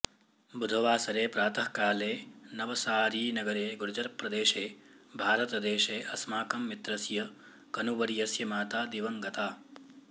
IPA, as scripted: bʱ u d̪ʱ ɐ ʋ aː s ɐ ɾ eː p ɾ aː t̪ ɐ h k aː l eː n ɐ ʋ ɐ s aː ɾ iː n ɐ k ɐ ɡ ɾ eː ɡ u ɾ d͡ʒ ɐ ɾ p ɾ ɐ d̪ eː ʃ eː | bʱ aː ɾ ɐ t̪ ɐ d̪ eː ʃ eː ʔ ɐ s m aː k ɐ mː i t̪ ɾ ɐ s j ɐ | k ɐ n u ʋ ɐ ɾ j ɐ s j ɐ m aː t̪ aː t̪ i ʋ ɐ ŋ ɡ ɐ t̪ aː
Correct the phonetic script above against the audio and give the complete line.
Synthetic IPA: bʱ u d̪ʱ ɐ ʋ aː s ɐ ɾ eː p ɾ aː t̪ ɐ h k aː l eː n ɐ ʋ ɐ s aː ɾ iː n ɐ ɡ ɐ ɾ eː ɡ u ɾ d͡ʒ ɐ ɾ p ɾ ɐ d̪ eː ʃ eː | bʱ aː ɾ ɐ t̪ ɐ d̪ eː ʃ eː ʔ ɐ s m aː k ɐ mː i t̪ ɾ ɐ s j ɐ | k ɐ n u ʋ ɐ ɾ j ɐ s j ɐ m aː t̪ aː d̪ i ʋ ɐ ŋ ɡ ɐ t̪ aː